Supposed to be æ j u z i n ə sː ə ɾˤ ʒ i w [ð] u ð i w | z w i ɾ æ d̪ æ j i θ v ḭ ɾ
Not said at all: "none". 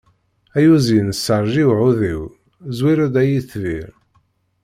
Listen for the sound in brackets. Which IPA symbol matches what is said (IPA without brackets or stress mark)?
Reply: ʕ